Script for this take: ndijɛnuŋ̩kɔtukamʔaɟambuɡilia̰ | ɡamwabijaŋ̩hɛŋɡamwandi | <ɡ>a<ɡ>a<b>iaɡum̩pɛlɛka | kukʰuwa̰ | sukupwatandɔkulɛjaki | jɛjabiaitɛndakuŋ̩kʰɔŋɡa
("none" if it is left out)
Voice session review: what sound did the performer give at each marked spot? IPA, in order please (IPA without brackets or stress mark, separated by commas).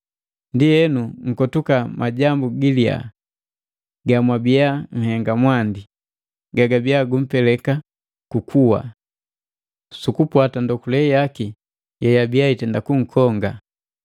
ɡ, ɡ, b